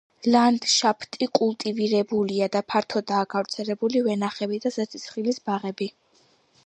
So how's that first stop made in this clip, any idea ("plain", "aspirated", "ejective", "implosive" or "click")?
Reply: plain